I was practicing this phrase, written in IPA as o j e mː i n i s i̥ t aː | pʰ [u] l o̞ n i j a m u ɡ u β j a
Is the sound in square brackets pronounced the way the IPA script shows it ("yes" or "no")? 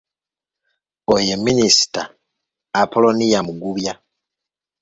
no